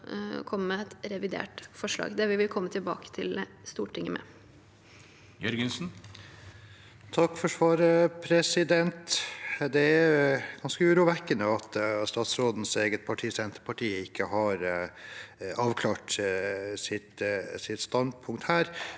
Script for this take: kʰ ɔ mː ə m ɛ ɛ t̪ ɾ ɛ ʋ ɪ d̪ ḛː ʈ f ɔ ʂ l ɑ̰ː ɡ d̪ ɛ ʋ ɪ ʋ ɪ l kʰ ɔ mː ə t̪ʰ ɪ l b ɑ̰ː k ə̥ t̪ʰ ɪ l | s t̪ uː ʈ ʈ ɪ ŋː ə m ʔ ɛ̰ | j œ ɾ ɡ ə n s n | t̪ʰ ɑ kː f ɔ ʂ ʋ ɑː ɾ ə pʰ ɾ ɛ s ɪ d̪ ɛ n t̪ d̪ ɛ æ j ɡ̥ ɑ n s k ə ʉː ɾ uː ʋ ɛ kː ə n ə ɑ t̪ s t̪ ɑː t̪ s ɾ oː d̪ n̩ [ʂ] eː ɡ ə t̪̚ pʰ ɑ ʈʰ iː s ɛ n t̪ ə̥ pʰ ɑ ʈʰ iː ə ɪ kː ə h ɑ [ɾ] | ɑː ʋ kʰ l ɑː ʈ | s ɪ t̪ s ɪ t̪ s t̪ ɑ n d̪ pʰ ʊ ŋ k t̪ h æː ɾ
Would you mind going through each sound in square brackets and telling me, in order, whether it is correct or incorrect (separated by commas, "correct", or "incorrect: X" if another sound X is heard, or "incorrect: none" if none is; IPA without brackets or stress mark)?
incorrect: s, correct